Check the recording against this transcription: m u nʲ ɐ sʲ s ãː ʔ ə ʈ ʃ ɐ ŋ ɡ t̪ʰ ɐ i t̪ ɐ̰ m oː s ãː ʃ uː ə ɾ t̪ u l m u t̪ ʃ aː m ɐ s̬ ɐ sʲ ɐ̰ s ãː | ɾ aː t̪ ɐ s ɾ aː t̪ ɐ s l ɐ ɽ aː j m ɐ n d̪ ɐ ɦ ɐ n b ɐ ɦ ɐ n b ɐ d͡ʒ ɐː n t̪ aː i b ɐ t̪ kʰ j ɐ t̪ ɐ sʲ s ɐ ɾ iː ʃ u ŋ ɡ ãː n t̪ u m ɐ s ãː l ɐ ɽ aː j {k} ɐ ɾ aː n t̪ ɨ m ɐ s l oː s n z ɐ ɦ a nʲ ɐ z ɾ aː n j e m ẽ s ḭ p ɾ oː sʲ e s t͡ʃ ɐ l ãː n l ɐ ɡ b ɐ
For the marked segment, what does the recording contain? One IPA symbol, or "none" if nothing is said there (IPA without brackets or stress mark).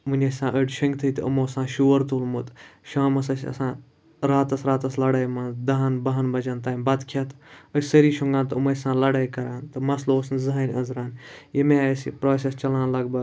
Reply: k